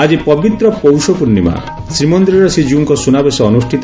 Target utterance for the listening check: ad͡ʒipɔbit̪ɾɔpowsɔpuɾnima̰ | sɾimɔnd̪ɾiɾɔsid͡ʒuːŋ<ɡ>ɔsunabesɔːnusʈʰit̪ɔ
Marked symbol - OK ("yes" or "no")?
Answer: no